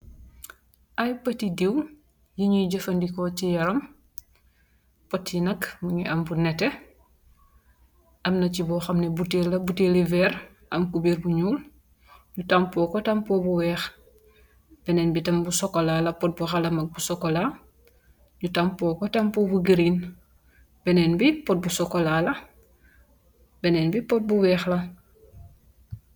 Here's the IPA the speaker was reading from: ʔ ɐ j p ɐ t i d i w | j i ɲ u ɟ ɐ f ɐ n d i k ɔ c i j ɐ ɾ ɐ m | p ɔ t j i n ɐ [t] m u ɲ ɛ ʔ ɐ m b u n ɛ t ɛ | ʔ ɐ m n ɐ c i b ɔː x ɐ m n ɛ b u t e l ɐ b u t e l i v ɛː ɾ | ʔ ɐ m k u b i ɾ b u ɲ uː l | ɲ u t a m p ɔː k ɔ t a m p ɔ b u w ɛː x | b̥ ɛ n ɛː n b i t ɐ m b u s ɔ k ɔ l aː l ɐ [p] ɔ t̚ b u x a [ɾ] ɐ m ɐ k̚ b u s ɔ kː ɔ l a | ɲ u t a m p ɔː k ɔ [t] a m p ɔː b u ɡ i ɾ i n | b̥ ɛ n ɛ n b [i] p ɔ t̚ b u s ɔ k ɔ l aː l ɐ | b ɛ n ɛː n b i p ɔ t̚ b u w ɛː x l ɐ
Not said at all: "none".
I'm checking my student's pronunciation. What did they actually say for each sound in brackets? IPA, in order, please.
k, p, l, t, i

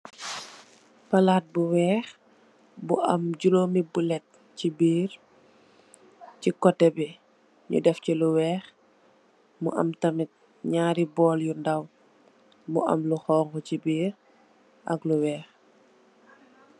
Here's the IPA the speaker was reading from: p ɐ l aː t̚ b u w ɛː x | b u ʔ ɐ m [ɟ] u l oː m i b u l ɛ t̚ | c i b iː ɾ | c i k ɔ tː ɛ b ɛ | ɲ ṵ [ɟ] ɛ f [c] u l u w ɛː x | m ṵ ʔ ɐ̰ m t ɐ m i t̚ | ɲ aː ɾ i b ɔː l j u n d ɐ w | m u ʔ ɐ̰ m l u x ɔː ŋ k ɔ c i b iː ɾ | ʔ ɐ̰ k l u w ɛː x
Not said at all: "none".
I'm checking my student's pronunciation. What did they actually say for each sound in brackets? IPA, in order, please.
ɟ, d, c

